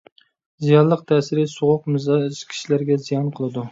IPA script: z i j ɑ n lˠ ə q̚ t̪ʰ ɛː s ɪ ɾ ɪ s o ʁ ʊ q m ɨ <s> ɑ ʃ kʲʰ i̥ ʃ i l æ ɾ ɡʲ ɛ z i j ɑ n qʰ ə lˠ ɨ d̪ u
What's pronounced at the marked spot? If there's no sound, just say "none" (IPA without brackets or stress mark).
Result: z